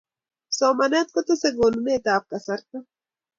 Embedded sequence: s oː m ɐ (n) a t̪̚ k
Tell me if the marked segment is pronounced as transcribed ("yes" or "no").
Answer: yes